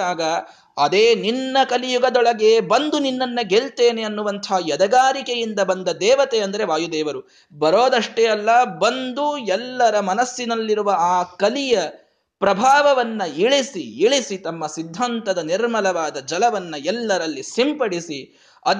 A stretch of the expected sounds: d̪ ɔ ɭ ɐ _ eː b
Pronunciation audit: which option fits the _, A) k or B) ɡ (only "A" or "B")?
B